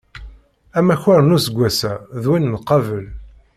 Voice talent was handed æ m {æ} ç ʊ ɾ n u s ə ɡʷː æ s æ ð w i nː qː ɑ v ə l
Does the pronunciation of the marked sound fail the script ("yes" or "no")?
no